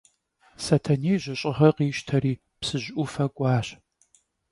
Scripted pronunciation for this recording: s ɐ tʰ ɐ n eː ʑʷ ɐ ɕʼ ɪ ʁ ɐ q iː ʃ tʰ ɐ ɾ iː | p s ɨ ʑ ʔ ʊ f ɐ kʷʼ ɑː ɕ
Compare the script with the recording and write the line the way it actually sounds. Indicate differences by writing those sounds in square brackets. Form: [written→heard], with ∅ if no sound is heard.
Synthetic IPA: s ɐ tʰ ɐ n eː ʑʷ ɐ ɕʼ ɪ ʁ ɐ q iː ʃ tʰ ɐ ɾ iː | p s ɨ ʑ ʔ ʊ f ɐ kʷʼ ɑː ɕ